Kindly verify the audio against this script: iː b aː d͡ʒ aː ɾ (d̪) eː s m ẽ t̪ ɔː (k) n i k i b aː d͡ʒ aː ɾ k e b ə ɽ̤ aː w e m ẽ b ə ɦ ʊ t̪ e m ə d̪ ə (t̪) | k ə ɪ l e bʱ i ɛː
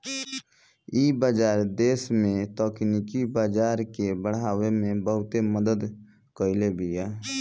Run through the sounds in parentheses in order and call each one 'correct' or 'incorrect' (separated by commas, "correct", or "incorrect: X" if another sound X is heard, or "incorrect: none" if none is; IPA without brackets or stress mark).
correct, correct, incorrect: d̪